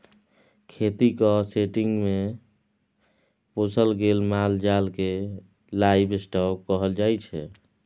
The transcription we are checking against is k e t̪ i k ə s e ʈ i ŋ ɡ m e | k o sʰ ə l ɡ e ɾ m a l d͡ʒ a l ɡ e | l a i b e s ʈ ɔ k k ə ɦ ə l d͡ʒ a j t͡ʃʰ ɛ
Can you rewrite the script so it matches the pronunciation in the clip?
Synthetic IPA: kʰ e t̪ i k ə s e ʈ i ŋ ɡ m e | p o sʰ ə l ɡ e l m a l d͡ʒ a l k e | l a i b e s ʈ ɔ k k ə ɦ ə l d͡ʒ a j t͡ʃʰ ɛ